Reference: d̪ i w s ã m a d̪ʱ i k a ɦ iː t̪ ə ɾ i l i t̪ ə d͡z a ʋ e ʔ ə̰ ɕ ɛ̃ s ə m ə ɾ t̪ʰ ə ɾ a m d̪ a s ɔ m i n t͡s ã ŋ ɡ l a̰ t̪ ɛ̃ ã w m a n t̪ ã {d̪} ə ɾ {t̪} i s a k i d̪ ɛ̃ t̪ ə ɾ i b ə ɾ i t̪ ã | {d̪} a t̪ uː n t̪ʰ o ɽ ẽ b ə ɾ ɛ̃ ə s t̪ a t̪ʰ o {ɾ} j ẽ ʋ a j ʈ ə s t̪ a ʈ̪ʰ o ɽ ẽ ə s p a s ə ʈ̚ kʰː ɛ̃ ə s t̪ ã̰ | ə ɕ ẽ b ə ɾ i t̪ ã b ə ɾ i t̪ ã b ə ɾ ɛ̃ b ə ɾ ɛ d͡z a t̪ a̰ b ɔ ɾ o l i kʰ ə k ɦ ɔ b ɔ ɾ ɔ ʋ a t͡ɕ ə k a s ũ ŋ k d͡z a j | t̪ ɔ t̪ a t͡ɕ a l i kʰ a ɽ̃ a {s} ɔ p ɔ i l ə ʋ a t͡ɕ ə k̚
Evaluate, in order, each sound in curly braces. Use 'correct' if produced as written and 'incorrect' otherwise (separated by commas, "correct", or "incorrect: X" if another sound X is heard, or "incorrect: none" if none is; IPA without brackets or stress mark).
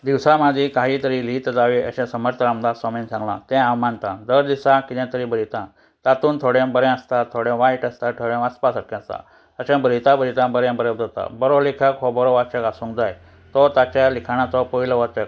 correct, incorrect: d̪, incorrect: t̪, incorrect: ɽ, incorrect: t͡s